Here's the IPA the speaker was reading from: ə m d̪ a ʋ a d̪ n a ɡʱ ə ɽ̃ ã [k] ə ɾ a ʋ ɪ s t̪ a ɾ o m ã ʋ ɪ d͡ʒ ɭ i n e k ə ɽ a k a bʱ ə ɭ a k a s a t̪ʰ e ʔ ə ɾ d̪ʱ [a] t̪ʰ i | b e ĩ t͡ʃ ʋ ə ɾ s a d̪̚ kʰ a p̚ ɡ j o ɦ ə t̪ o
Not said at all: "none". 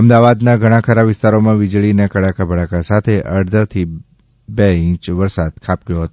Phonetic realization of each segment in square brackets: kʰ, ə

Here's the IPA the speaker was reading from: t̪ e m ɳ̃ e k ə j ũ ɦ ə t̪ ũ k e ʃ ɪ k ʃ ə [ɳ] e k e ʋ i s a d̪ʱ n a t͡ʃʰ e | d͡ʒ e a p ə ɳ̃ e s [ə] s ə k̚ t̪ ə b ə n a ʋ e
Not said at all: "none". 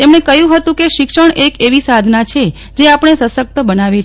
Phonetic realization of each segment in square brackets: ɳ, ə

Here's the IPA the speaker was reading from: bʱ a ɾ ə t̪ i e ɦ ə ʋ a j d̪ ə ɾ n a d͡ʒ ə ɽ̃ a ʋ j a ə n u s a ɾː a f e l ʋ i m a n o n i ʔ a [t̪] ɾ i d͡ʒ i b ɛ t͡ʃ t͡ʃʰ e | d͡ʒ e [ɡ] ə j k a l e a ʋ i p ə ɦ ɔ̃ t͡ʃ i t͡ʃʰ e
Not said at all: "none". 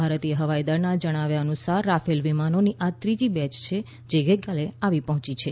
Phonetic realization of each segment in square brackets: t̪, ɡ

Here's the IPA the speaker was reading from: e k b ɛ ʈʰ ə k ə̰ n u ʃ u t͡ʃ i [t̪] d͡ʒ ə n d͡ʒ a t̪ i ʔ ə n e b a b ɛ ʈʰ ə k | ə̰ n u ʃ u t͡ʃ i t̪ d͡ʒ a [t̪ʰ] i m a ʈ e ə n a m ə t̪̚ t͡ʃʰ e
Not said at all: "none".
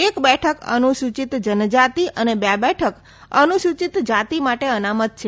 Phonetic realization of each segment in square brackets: t̪, t̪

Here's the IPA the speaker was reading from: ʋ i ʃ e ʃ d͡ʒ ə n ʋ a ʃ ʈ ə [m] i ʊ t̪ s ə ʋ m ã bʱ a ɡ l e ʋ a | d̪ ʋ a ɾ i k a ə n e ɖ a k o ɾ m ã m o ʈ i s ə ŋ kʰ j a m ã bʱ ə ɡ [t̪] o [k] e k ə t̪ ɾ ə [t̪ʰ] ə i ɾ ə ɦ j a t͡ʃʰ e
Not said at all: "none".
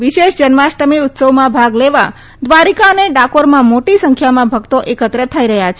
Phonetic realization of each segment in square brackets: m, t̪, ʔ, t̪ʰ

